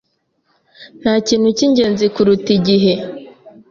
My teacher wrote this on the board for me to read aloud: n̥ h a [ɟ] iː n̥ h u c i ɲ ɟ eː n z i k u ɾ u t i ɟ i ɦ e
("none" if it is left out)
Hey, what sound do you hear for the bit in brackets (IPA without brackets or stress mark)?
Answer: c